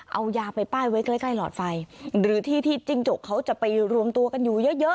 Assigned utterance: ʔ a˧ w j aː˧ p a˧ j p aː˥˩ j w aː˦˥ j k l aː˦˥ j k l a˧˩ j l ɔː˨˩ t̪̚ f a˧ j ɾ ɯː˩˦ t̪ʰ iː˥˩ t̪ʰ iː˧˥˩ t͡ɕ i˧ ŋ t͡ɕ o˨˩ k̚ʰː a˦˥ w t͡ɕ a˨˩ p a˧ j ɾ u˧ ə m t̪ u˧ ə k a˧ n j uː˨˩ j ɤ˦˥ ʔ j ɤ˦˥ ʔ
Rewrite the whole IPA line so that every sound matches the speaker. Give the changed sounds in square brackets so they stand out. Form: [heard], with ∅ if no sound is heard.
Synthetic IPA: ʔ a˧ w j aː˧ p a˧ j p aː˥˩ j w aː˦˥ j k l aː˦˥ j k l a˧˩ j l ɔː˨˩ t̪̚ f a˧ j ɾ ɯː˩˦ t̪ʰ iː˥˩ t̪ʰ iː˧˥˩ t͡ɕ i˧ ŋ t͡ɕ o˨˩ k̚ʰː a˦˥ w t͡ɕ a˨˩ p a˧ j ɾ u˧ ə m t̪ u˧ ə k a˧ n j uː˨˩ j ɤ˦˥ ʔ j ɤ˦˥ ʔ